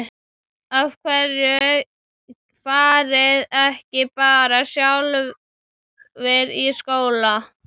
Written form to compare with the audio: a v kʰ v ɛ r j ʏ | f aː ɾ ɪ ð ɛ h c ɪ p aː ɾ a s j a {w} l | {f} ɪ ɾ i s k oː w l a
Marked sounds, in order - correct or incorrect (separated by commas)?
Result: correct, incorrect